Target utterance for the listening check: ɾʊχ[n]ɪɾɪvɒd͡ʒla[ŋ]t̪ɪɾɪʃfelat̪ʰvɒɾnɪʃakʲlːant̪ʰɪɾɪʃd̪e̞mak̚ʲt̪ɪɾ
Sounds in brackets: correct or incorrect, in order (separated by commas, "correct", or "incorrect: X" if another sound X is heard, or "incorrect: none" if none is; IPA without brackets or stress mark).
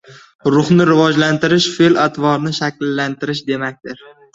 correct, incorrect: n